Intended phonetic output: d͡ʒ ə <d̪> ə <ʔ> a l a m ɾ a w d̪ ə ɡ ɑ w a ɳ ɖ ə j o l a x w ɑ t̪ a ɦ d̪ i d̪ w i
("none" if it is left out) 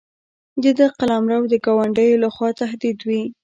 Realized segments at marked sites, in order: d̪, q

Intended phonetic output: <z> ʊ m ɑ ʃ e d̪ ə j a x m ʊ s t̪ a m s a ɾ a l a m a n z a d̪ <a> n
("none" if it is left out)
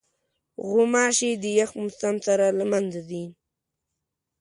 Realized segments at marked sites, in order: ɣ, i

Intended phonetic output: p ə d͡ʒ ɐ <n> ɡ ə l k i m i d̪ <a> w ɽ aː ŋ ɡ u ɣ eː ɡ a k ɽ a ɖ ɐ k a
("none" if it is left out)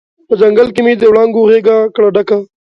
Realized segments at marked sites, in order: ŋ, e

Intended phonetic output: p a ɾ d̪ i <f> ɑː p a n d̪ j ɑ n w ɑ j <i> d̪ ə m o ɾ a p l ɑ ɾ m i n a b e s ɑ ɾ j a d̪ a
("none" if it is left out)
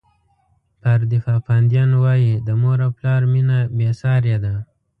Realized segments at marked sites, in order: f, i

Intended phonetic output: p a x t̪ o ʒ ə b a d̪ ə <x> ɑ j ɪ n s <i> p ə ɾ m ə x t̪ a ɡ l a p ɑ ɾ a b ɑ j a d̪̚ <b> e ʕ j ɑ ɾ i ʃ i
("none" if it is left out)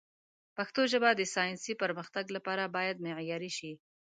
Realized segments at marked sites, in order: s, i, m

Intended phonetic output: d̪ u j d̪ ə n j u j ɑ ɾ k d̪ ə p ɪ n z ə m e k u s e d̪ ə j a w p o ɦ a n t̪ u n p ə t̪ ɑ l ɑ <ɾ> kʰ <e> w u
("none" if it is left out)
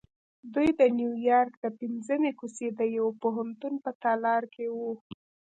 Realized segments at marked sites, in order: ɾ, e

